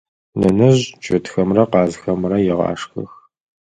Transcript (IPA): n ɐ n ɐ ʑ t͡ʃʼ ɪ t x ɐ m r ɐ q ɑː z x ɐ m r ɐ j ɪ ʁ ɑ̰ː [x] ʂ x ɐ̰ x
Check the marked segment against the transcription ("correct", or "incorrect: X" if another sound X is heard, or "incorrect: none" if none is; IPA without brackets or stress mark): incorrect: none